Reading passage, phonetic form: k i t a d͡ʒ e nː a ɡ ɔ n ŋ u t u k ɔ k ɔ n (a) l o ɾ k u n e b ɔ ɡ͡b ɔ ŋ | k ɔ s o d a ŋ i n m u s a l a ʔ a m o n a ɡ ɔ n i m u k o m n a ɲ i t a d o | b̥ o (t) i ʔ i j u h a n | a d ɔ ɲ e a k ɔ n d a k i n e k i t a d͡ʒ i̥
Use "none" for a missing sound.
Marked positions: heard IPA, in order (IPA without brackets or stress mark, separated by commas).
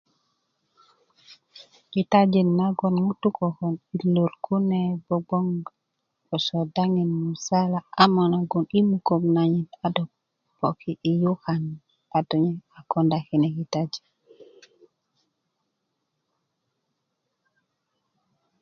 i, k